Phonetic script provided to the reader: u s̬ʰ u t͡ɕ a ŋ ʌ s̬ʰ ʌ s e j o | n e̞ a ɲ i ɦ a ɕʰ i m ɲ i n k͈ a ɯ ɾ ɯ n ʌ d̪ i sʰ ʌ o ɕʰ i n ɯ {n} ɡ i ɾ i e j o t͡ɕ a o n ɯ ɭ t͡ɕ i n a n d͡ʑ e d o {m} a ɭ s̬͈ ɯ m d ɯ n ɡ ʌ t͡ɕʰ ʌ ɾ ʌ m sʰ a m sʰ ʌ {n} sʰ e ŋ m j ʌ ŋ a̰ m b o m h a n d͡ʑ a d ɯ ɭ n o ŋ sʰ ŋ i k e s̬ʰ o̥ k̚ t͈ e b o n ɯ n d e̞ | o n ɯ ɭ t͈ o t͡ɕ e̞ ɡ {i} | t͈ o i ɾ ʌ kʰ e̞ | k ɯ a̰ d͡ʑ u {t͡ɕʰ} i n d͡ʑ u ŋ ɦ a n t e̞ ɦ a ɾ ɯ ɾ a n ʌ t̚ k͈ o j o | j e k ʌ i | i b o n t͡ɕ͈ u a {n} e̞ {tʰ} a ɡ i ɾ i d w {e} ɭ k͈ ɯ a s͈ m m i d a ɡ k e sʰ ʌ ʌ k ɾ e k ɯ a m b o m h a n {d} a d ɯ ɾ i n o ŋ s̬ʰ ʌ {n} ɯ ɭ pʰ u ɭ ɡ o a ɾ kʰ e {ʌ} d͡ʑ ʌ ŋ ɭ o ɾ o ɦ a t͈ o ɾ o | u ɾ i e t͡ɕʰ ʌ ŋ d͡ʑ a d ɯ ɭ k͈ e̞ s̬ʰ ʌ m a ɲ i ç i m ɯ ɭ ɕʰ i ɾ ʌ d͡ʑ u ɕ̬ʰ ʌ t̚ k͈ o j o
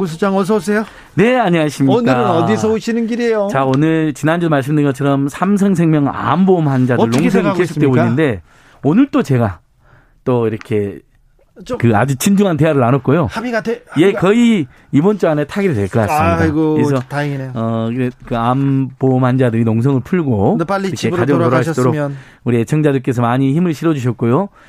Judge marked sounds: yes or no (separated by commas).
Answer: yes, yes, no, no, yes, yes, yes, yes, no, no, no